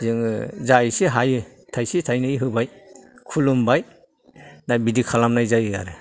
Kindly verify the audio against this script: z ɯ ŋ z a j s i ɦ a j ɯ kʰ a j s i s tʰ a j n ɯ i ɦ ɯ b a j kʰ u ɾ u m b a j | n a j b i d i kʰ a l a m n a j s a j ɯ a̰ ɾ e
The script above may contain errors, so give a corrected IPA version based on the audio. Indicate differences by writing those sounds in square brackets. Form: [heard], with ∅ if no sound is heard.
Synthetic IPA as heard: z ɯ ŋ z a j s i ɦ a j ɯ [tʰ] a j s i [∅] tʰ a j n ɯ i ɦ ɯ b a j kʰ u [l] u m b a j | n a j b i d i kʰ a l a m n a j [z] a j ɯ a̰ ɾ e